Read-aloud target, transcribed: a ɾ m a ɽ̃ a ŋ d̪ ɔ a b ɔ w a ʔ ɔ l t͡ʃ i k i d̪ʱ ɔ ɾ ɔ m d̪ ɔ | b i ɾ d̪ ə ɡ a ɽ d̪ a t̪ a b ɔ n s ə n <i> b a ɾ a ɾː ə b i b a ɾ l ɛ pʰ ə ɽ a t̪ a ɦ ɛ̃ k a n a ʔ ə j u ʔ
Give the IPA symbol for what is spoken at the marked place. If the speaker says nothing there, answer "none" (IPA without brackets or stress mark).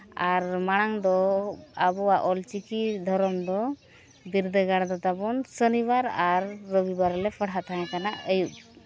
i